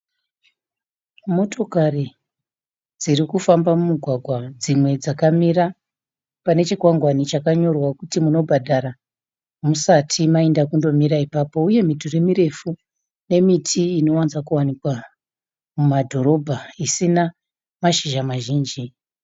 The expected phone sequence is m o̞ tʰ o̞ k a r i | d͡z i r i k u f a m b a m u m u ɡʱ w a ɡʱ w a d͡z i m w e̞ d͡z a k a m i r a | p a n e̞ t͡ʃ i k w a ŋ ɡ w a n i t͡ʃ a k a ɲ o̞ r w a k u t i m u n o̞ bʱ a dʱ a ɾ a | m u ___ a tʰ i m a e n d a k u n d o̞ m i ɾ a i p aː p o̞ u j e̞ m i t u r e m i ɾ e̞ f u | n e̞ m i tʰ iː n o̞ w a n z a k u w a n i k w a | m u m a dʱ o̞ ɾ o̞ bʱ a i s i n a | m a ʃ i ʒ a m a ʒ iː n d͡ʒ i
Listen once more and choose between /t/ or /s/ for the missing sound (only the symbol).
s